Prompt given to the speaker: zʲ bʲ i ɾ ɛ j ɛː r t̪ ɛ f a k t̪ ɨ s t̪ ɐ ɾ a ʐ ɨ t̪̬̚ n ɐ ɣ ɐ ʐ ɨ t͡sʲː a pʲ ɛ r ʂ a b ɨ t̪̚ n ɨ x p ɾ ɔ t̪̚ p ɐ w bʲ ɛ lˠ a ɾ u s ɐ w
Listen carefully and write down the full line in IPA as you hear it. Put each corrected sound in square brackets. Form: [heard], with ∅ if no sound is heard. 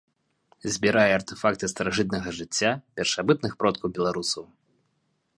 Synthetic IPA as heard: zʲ bʲ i ɾ [a] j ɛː r t̪ ɛ f a k t̪ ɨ s t̪ ɐ ɾ a ʐ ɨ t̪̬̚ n ɐ ɣ ɐ ʐ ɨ t͡sʲː a pʲ ɛ r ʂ a b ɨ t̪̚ n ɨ x p ɾ ɔ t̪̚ [k] ɐ w bʲ ɛ lˠ a ɾ u s ɐ w